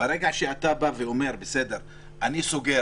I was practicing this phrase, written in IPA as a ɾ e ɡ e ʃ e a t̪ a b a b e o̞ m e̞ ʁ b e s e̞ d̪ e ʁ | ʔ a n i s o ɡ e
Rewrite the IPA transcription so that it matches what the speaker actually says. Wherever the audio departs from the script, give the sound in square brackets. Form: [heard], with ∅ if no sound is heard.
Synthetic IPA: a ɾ e ɡ [a] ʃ e a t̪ a b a [v] e o̞ m e̞ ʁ b e s e̞ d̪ e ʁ | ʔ a n i s o ɡ e